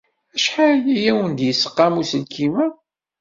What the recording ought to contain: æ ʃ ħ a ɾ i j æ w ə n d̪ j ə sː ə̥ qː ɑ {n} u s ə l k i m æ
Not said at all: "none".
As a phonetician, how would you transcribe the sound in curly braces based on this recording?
m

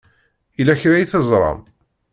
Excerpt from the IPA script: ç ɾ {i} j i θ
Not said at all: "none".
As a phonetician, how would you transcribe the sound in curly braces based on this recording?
æ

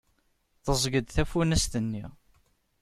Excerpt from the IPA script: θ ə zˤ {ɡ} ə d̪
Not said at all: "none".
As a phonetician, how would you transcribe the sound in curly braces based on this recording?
ɡ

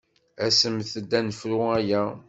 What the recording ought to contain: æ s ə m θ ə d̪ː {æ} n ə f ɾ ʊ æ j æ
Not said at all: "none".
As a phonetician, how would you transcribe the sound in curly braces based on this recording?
æ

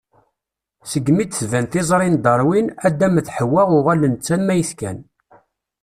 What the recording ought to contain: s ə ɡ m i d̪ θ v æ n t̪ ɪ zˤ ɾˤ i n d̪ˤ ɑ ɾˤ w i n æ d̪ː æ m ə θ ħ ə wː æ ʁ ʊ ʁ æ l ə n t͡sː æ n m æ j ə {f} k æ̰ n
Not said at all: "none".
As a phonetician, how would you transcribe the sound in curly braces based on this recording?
θ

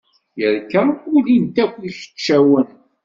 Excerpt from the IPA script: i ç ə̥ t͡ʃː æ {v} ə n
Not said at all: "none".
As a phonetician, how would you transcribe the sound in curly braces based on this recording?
w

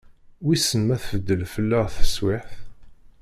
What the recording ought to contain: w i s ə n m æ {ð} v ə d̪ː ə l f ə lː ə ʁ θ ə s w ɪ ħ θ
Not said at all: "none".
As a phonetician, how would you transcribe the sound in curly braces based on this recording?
θ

